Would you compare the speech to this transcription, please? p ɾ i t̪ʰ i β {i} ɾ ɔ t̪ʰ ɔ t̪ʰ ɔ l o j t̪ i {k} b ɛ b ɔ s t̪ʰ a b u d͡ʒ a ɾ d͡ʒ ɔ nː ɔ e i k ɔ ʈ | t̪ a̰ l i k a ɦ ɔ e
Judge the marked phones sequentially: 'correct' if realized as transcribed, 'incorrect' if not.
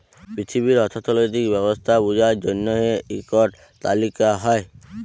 correct, correct

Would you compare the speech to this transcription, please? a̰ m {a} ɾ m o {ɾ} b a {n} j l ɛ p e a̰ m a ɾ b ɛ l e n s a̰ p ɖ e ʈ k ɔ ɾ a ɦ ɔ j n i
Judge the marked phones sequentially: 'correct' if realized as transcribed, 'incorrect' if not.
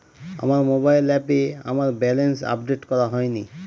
correct, incorrect: none, incorrect: none

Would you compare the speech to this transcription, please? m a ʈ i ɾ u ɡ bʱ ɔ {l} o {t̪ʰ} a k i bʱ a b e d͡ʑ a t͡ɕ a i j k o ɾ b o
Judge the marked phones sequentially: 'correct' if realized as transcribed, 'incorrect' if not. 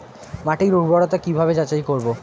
incorrect: ɽ, incorrect: t̪

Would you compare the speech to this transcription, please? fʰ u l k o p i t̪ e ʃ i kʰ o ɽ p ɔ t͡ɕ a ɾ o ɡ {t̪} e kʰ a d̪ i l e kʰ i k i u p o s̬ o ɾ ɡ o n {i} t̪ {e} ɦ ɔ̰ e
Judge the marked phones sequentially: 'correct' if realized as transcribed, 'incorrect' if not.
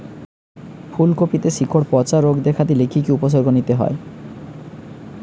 incorrect: d̪, correct, correct

